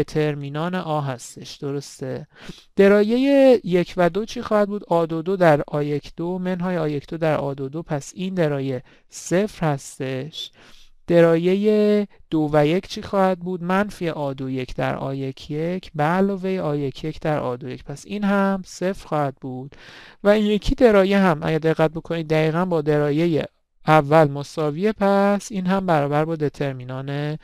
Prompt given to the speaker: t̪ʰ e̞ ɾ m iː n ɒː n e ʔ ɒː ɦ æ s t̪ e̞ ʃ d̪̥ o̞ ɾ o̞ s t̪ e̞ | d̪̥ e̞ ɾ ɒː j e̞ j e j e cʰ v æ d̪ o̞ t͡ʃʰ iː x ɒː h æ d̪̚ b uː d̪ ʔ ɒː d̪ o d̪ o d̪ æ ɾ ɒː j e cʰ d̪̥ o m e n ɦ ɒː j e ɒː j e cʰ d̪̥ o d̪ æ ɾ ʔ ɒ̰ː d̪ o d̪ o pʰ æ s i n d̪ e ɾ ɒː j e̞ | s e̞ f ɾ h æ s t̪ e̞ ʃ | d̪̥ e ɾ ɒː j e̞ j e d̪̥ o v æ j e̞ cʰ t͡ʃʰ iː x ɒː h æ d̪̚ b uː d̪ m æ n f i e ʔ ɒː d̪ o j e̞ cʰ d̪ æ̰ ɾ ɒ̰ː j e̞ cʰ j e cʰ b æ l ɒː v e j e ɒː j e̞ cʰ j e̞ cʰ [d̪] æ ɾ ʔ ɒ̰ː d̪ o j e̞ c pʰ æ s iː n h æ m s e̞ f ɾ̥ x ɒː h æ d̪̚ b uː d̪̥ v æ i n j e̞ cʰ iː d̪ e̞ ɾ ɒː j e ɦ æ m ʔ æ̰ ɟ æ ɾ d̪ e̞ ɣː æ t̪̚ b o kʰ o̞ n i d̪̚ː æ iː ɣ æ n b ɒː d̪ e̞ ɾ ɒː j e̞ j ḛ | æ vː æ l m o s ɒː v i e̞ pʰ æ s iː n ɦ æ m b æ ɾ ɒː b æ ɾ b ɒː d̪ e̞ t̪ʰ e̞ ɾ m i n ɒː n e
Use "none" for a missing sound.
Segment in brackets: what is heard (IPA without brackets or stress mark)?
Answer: d̪